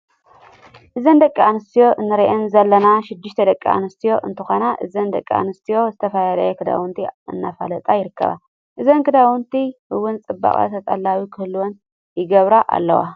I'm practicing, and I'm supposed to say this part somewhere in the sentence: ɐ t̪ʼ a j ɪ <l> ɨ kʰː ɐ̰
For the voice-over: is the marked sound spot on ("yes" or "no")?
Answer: no